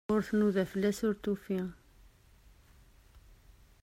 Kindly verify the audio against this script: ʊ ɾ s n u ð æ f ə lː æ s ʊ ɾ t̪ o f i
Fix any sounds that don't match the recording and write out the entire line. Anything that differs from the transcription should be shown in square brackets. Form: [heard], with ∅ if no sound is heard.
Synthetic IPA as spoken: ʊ ɾ [θ] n u ð æ f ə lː æ s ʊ ɾ t̪ [u] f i